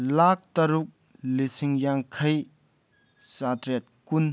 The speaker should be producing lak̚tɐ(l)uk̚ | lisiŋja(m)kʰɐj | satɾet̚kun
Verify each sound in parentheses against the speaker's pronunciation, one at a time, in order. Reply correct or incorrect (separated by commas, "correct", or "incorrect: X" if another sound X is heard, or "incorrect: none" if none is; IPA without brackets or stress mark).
incorrect: ɾ, incorrect: ŋ